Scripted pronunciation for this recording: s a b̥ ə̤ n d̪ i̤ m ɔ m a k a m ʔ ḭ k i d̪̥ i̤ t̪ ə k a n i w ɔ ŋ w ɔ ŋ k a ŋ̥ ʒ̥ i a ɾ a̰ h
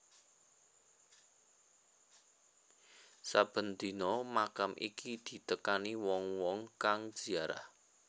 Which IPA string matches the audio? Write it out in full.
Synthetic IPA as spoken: s a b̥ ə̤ n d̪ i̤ n ɔ m a k a m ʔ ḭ k i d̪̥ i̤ t̪ ə k a n i w ɔ ŋ w ɔ ŋ k a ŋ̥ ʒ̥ i a ɾ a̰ h